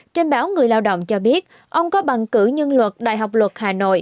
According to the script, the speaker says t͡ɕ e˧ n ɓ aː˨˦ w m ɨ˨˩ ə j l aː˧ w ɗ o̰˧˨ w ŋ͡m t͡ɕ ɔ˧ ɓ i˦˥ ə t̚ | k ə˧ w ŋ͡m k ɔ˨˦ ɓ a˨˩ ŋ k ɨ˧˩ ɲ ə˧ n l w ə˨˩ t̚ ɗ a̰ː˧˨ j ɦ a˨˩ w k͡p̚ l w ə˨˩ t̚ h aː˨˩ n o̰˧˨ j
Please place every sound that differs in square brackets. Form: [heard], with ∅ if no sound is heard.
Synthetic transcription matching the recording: t͡ɕ e˧ n ɓ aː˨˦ w [ŋ] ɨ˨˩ ə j l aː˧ w ɗ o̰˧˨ w ŋ͡m t͡ɕ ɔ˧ ɓ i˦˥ ə t̚ | [ʔ] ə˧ w ŋ͡m k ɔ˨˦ ɓ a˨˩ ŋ k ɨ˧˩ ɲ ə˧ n l w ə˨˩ t̚ ɗ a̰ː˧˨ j ɦ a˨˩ w k͡p̚ l w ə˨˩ t̚ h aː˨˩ n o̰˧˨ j